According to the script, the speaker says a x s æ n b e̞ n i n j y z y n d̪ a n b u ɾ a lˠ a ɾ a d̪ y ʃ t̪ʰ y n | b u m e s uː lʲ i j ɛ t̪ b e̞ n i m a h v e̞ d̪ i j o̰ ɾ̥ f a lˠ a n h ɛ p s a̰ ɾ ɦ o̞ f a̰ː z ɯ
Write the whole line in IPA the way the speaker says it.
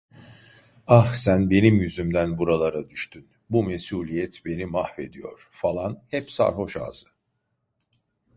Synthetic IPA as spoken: a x s æ n b e̞ n i m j y z y m d̪ æ n b u ɾ a lˠ a ɾ a d̪ y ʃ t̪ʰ y n | b u m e s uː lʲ i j ɛ t̪ b e̞ n i m a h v e̞ d̪ i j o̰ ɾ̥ f a lˠ a n h ɛ p s a̰ ɾ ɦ o̞ ʃ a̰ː z ɯ